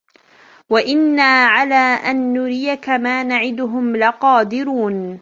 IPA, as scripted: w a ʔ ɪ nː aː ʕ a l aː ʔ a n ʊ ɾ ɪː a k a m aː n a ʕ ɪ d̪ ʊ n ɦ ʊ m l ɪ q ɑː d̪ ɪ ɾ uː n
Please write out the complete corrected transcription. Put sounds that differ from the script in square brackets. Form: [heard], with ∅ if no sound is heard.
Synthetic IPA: w a ʔ ɪ nː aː ʕ a l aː ʔ a [nː] ʊ ɾ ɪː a k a m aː n a ʕ ɪ d̪ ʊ [∅] ɦ ʊ m l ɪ q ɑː d̪ ɪ ɾ uː n